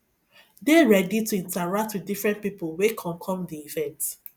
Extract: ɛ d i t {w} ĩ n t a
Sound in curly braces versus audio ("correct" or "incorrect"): incorrect